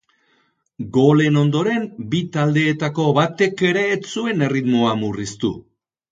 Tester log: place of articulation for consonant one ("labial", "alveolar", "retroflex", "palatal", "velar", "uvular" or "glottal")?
velar